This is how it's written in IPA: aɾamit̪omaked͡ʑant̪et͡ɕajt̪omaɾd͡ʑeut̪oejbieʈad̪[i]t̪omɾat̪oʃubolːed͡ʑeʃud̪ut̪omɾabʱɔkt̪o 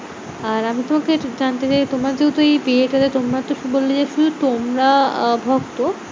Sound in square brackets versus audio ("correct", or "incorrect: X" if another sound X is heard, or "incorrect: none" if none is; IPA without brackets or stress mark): incorrect: e